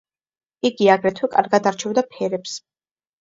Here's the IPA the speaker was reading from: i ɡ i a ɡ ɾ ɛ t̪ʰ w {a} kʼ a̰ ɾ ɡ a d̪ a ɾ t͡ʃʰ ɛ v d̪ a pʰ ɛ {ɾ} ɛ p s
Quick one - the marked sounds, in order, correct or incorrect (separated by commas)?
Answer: incorrect, correct